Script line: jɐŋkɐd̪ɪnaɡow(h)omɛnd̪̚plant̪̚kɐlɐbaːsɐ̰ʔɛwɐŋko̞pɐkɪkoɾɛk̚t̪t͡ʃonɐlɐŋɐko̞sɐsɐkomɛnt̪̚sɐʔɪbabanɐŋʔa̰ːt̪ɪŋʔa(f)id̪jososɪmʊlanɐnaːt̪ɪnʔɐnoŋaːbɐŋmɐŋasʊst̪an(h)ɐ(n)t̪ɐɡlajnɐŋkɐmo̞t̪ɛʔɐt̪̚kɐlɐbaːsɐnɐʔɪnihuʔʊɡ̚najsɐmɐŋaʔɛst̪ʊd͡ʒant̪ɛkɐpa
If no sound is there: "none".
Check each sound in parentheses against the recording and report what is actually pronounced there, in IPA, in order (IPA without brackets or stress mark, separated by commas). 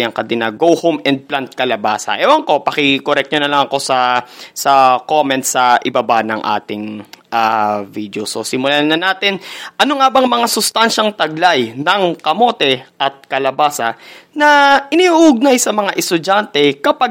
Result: h, v, ʃ, ŋ